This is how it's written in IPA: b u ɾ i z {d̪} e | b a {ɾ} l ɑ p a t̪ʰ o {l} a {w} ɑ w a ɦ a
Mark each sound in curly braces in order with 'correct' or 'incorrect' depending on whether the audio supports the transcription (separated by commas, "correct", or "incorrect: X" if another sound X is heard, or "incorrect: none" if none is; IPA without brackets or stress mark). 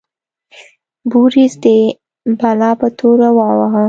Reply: correct, incorrect: none, incorrect: ɾ, correct